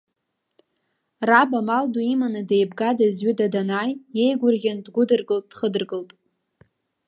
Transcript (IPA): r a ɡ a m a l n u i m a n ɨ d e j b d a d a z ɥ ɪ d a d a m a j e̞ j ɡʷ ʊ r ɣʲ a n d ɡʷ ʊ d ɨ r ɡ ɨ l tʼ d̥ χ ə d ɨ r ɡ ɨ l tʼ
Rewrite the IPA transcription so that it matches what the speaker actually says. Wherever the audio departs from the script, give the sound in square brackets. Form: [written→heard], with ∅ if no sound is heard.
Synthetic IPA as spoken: r a [ɡ→b] a m a l [n→d] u i m a n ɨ d e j b [d→ɡ] a d a z ɥ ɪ d a d a [m→n] a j e̞ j ɡʷ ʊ r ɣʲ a n d ɡʷ ʊ d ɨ r ɡ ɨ l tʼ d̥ χ ə d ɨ r ɡ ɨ l tʼ